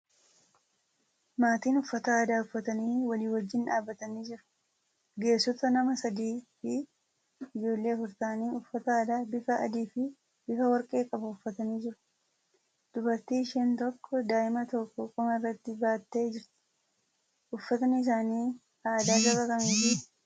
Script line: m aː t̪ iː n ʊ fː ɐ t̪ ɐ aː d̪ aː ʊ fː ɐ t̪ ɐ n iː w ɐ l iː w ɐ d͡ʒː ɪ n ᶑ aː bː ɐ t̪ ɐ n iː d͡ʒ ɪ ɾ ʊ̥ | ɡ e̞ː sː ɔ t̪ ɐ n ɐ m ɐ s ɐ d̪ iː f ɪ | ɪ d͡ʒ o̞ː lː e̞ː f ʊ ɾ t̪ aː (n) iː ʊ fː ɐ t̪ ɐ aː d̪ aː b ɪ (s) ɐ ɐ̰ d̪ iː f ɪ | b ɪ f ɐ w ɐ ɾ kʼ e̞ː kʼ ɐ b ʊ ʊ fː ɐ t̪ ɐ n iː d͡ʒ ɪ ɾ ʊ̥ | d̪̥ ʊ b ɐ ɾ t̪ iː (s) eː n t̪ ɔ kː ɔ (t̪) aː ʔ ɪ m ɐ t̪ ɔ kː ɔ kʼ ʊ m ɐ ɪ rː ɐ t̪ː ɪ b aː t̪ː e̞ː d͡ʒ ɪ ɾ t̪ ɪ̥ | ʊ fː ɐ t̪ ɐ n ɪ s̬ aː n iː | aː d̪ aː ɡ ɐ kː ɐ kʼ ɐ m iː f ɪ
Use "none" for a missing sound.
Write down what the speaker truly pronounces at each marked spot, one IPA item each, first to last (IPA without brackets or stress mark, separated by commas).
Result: n, f, ʃ, d̪